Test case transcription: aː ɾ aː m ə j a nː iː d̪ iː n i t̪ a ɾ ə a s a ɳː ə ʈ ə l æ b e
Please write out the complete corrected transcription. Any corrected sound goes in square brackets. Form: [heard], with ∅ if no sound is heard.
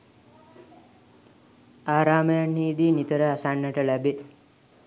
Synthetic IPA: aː ɾ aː m ə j a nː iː d̪ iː n i t̪ [ə] ɾ ə a s a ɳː ə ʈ ə l æ b e